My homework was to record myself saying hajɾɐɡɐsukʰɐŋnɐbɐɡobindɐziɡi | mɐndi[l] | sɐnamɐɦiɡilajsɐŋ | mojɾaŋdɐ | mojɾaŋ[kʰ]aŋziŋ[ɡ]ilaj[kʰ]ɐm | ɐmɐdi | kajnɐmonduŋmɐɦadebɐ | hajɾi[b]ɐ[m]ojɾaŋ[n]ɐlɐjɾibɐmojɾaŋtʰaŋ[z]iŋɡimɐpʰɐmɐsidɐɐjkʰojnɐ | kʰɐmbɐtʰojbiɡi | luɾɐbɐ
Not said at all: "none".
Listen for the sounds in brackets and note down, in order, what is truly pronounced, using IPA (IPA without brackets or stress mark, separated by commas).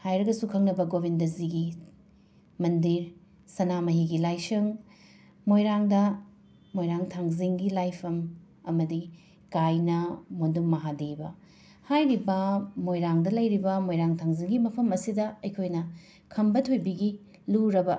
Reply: ɾ, tʰ, ɡ, pʰ, b, m, d, z